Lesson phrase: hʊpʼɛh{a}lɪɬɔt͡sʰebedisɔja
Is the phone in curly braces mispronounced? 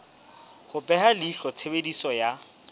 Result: no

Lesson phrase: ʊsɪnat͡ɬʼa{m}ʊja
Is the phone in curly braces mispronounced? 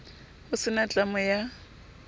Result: no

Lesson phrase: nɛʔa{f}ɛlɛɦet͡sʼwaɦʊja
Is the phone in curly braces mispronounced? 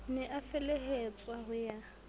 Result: no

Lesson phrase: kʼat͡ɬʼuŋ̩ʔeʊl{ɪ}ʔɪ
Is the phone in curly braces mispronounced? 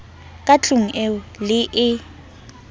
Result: no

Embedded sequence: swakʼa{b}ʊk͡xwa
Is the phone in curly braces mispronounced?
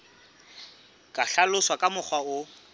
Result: yes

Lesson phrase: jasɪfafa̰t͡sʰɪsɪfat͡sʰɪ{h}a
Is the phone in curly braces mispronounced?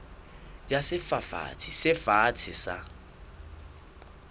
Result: yes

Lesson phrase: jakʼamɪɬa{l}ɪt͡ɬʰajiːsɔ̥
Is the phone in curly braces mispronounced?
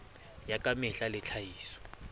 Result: no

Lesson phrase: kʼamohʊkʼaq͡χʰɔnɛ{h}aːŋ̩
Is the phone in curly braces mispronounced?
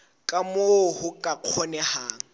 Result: no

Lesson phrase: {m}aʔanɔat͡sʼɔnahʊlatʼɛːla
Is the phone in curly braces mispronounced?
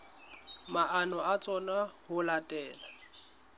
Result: no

